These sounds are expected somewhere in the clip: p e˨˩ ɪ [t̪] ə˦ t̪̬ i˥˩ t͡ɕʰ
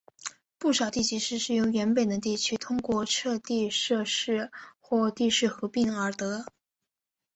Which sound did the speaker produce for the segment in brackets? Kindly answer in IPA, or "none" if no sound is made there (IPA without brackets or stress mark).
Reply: d̪